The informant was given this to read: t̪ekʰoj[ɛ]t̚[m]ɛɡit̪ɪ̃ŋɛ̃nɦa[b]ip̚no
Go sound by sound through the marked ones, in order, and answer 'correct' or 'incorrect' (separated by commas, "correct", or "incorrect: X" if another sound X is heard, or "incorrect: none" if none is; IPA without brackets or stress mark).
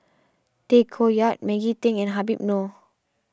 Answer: incorrect: a, correct, correct